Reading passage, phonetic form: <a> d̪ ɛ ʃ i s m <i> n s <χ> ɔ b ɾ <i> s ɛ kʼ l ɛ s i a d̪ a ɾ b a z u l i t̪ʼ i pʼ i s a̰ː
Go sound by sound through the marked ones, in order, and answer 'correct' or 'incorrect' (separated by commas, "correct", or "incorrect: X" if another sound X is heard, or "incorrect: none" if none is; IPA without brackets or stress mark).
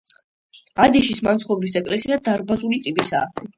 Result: correct, incorrect: a, correct, correct